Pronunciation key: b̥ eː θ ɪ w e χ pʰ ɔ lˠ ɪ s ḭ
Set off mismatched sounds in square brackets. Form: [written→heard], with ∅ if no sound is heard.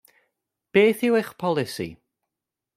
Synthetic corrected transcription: b̥ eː θ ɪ w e χ pʰ ɔ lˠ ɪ s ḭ